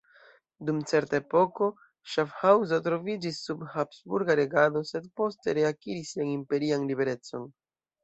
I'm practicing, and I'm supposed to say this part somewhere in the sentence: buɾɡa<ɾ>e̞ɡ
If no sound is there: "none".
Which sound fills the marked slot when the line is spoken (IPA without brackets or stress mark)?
ɾ